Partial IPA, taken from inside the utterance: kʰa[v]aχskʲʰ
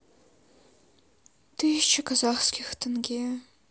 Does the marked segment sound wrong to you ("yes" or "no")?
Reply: yes